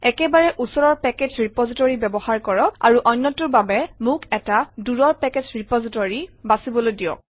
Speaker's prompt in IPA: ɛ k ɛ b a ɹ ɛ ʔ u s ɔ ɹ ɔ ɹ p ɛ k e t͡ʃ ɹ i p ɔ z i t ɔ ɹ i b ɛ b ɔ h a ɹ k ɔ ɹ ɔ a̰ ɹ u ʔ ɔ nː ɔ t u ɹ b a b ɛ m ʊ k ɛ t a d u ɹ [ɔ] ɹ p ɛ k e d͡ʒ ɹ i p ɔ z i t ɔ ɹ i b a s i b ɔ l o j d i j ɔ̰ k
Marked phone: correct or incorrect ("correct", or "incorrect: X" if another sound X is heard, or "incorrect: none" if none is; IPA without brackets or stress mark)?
correct